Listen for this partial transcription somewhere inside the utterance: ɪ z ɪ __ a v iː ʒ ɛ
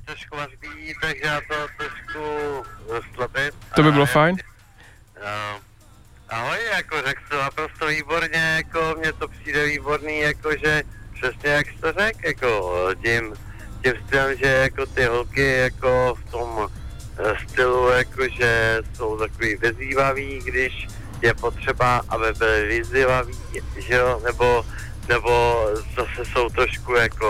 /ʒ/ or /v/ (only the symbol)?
v